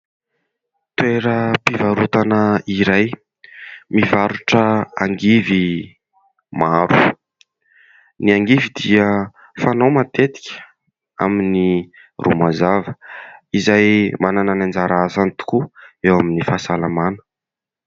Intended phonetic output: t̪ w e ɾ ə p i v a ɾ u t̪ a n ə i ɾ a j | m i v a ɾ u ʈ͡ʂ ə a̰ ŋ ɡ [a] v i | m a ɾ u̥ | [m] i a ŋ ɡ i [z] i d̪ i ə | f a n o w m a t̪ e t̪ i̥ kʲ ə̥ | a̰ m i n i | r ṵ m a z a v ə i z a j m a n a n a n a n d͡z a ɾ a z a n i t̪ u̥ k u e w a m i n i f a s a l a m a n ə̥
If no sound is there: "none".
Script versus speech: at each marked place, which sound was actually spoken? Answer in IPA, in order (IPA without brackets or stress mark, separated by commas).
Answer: i, n, v